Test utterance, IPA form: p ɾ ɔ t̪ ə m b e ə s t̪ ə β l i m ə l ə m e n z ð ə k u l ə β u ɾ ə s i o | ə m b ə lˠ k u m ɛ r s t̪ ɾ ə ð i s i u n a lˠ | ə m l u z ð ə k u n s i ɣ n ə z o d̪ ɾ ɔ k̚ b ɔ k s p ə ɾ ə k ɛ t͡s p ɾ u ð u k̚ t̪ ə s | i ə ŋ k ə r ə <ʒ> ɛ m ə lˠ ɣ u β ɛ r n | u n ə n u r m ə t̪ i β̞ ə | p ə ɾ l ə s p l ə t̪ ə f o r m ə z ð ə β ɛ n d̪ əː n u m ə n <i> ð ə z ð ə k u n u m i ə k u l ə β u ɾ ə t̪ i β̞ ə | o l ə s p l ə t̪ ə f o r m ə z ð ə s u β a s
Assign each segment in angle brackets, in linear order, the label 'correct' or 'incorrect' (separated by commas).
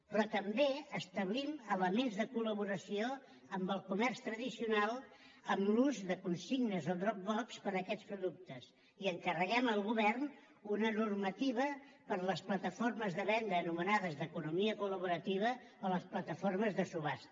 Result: incorrect, incorrect